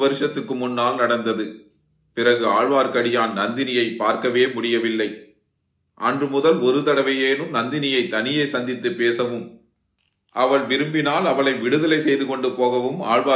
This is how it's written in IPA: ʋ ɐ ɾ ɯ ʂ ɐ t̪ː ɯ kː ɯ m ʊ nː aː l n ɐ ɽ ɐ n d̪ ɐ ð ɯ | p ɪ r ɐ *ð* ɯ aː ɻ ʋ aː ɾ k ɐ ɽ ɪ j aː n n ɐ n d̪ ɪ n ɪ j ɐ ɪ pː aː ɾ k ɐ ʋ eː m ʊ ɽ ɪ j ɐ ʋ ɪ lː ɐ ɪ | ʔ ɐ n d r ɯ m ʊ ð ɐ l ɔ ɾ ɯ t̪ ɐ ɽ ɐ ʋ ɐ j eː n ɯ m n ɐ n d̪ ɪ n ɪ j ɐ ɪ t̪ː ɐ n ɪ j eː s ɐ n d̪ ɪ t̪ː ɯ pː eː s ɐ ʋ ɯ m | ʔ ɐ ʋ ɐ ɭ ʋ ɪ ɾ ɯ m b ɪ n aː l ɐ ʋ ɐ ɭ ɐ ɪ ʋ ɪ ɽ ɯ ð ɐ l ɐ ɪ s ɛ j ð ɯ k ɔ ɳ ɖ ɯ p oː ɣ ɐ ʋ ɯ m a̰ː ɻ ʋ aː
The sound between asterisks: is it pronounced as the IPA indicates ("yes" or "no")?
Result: no